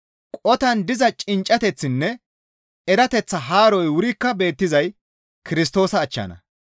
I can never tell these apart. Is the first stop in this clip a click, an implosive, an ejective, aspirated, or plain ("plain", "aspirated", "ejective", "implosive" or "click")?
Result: ejective